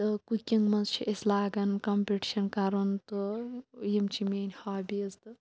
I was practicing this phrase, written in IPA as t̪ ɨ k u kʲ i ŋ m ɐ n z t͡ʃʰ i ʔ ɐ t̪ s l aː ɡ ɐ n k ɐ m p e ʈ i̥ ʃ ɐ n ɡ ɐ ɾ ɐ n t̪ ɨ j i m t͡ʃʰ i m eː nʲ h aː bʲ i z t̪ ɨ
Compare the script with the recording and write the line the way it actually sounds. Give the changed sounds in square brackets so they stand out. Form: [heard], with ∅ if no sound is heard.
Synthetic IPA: t̪ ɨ k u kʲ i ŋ m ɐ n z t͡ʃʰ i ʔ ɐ [∅] s l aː ɡ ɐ n k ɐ m p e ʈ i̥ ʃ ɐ n [k] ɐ ɾ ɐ n t̪ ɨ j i m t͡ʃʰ i m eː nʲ h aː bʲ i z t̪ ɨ